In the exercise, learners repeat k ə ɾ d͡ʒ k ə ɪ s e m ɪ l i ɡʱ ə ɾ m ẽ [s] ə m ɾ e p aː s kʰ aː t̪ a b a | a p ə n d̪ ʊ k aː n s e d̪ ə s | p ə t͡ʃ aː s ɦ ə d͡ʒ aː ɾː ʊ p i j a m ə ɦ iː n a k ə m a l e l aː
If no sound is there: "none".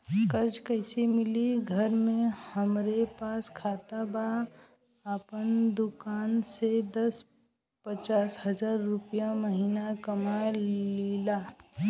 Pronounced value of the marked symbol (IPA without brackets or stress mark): h